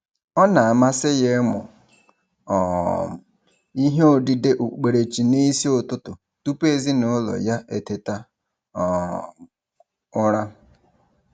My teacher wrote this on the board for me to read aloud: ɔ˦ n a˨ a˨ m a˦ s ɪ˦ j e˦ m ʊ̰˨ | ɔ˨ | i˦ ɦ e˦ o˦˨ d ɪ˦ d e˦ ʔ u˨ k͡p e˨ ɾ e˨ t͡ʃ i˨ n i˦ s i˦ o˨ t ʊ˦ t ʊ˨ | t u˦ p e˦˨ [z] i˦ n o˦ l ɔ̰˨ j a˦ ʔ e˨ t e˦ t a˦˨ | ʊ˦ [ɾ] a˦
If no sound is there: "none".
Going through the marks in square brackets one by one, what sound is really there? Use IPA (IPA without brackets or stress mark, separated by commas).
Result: z, ɾ